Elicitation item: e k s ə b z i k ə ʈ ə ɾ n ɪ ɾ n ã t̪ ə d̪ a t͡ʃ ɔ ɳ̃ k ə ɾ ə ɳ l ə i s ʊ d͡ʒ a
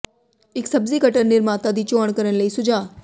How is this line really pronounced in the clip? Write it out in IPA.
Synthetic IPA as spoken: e k s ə b z i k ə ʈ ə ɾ n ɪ ɾ m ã t̪ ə d̪ i t͡ʃ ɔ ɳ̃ k ə ɾ ə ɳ l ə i s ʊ d͡ʒ a